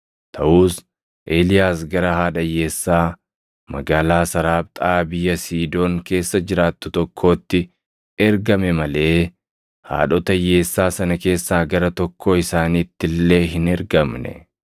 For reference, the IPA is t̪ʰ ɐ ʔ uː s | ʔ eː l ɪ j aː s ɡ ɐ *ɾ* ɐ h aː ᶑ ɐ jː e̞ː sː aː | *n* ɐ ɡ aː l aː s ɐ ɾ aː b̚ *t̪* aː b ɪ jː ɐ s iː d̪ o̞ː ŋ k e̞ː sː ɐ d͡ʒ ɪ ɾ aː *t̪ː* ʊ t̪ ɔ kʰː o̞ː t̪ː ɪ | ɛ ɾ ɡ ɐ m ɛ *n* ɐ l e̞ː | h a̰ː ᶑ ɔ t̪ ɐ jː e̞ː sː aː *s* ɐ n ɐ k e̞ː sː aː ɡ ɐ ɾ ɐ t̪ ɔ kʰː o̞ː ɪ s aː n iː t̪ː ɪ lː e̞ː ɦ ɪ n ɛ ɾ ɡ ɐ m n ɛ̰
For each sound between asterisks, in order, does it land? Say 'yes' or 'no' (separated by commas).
yes, no, no, yes, no, yes